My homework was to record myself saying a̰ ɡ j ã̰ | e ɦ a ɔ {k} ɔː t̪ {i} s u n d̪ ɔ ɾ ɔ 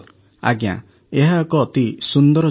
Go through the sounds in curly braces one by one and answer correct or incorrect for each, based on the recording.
correct, correct

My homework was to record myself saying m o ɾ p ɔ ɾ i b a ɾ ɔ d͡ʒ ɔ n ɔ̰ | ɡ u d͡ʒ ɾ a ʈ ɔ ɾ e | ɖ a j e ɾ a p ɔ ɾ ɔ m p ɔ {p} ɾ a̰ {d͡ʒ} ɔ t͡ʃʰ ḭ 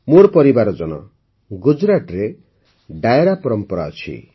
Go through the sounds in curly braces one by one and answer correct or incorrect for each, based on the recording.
incorrect: none, incorrect: none

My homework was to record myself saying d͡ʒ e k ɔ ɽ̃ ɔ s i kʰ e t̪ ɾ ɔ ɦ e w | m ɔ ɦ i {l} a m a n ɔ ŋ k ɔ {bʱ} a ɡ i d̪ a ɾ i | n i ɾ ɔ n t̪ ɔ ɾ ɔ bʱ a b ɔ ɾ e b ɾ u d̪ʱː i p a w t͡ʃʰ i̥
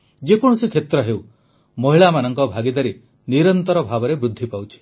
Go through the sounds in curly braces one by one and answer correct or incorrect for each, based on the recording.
incorrect: ɭ, correct

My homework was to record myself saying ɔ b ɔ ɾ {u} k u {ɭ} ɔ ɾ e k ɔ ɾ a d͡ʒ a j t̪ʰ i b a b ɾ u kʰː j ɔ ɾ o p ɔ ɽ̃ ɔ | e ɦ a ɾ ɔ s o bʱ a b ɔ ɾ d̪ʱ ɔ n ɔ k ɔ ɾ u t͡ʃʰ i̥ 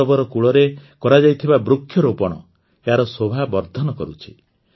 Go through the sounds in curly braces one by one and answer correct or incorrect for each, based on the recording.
incorrect: ɔ, correct

